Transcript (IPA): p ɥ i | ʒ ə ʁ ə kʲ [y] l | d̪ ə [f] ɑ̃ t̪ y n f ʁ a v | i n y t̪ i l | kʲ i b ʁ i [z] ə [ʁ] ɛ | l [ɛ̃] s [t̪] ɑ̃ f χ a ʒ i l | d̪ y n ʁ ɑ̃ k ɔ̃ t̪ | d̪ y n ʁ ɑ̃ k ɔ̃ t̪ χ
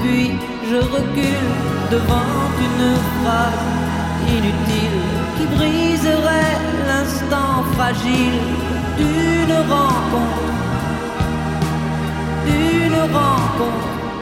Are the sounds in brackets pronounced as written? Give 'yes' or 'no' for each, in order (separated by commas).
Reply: yes, no, yes, yes, yes, yes